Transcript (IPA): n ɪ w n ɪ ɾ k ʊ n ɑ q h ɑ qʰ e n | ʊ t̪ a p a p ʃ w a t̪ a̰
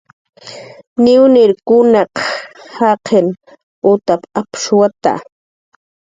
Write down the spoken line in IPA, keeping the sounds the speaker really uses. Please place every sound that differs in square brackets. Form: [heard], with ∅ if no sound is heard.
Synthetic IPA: n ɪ w n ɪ ɾ k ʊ n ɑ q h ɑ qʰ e n | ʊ t̪ a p a p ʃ w a t̪ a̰